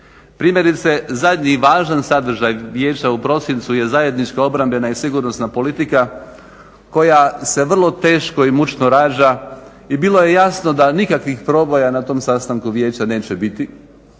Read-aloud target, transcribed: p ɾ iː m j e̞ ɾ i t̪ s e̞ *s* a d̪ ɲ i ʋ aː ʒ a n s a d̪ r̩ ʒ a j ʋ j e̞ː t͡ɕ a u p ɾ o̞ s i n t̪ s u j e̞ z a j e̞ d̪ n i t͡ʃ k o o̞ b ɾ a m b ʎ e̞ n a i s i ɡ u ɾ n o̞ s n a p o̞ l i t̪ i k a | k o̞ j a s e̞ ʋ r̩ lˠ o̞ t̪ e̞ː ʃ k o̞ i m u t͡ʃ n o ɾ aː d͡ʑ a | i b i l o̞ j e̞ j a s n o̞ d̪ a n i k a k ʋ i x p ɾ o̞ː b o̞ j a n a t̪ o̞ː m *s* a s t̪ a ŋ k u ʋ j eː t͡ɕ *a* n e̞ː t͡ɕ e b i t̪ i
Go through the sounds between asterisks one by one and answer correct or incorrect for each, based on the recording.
incorrect, correct, correct

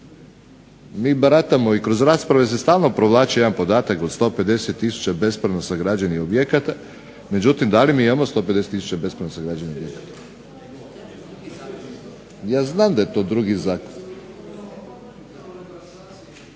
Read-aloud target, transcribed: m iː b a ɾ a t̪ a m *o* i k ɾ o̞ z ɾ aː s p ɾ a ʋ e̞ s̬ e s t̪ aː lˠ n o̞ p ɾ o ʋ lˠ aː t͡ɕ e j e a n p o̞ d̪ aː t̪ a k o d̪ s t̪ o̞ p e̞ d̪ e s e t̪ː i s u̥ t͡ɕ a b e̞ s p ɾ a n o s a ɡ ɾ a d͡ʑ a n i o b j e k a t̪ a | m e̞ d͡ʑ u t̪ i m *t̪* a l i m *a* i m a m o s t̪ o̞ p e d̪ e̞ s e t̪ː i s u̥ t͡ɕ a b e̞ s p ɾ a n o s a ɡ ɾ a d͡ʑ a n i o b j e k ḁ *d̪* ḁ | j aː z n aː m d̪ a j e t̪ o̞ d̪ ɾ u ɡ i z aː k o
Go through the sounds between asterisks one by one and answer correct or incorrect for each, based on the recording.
correct, incorrect, incorrect, incorrect

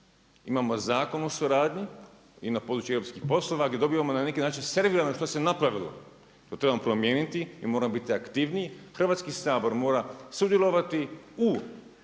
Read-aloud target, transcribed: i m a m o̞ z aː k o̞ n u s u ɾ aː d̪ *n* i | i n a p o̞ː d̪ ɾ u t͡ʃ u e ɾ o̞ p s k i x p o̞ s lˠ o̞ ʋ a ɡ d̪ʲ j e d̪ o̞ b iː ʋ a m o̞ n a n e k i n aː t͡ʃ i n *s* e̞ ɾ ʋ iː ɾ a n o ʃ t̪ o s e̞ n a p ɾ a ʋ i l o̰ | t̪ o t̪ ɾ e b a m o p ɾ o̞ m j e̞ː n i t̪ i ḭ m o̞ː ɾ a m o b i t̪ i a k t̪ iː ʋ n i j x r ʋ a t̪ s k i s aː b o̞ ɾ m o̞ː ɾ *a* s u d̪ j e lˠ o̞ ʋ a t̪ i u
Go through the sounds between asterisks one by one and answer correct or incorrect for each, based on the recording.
incorrect, correct, correct

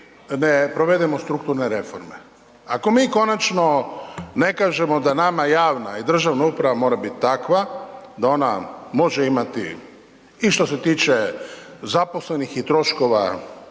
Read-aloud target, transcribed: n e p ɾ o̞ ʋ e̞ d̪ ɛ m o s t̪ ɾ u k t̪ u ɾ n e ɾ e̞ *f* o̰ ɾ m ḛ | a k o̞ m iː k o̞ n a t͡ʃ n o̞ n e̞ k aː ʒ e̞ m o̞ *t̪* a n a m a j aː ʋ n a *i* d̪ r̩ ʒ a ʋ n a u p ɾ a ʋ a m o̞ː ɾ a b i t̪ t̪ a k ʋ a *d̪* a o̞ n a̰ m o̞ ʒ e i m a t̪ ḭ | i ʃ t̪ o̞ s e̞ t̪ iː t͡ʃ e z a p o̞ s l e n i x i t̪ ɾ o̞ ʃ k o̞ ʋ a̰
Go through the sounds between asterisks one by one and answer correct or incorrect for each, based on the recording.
correct, incorrect, correct, correct

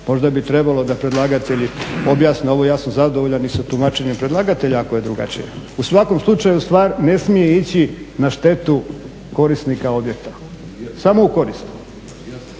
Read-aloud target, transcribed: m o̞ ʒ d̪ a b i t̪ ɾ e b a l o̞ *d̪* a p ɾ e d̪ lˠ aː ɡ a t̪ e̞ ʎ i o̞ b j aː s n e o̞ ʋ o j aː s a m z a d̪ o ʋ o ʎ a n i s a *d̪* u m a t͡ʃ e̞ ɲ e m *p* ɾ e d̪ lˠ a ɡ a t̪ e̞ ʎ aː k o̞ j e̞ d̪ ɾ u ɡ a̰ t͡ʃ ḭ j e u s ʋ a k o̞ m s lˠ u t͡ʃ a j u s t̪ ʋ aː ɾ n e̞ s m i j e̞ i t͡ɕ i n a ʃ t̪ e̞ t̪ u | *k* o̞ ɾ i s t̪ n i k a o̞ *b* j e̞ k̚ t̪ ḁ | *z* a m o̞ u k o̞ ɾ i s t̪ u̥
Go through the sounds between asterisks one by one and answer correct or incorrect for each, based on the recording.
correct, incorrect, correct, correct, correct, incorrect

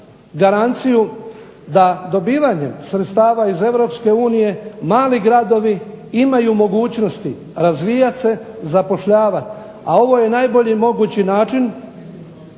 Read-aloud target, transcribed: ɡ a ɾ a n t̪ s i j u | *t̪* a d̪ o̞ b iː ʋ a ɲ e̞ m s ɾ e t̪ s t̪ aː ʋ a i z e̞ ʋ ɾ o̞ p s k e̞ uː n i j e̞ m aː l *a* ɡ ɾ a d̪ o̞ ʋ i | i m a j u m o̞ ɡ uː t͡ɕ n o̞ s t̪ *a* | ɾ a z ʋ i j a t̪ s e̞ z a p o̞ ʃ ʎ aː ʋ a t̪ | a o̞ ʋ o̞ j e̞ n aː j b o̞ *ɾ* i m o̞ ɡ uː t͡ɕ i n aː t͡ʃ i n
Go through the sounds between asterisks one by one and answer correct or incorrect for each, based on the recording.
incorrect, incorrect, incorrect, incorrect

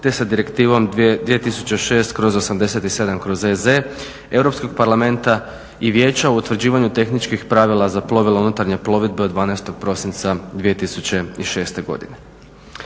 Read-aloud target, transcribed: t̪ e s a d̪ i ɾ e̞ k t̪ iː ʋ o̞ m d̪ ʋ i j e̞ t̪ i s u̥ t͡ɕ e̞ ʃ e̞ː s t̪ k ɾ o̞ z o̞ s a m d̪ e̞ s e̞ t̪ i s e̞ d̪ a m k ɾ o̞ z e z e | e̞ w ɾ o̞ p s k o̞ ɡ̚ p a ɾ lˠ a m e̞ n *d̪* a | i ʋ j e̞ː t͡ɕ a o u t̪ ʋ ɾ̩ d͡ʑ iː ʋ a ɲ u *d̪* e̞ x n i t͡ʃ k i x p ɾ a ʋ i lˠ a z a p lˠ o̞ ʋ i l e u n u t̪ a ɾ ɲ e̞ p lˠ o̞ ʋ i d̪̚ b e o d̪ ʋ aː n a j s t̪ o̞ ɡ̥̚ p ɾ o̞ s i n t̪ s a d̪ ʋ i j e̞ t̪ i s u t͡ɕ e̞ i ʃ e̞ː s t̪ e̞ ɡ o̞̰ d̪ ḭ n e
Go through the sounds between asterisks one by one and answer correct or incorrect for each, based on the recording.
incorrect, incorrect

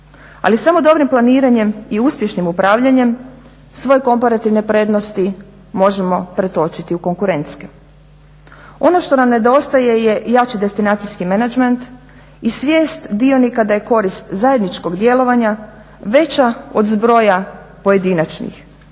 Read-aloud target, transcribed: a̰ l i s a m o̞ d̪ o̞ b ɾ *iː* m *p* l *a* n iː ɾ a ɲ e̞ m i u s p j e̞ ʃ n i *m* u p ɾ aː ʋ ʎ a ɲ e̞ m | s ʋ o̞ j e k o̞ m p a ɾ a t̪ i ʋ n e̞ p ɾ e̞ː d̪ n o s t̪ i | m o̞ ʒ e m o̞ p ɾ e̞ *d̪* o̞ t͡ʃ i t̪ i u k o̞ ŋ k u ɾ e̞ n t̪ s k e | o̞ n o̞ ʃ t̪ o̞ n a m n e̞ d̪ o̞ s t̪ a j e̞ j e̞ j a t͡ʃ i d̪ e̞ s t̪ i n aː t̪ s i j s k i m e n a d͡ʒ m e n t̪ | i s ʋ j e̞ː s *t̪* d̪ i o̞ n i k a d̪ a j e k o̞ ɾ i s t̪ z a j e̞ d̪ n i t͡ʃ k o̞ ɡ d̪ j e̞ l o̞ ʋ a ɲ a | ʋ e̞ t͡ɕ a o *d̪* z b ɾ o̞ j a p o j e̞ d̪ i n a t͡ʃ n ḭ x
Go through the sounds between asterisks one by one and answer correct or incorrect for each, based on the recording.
incorrect, correct, correct, correct, incorrect, correct, correct

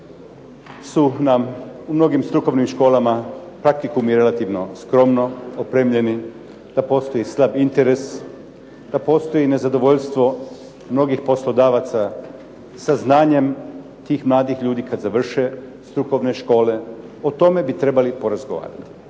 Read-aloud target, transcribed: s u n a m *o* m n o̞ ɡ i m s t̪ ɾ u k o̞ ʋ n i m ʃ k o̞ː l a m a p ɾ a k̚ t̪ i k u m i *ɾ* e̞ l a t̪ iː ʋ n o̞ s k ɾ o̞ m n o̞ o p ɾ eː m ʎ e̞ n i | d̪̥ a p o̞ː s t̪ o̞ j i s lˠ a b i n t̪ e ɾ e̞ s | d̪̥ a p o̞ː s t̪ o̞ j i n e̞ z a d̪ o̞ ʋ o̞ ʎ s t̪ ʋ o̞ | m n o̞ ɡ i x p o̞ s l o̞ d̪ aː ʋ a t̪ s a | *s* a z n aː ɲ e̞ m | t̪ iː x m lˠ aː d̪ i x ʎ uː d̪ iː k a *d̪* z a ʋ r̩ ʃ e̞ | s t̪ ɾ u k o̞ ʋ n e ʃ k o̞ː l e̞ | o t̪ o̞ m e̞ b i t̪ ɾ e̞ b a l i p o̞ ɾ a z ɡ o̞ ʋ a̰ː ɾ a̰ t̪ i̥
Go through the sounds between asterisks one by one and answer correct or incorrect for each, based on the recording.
incorrect, correct, correct, correct

